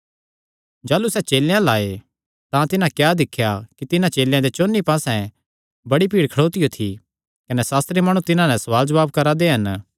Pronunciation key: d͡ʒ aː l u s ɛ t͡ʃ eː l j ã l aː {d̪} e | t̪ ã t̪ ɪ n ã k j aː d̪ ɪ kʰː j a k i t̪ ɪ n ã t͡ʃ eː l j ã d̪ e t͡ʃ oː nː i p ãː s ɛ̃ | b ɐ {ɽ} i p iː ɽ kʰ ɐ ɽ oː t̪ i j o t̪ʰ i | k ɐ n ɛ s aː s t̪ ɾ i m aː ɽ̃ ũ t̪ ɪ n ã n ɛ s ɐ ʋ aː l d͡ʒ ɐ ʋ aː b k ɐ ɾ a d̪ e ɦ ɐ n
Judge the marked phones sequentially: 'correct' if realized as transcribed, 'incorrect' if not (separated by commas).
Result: incorrect, correct